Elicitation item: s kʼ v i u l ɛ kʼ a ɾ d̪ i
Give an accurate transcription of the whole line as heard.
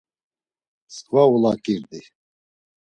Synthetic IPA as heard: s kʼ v a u l a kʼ i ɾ d̪ i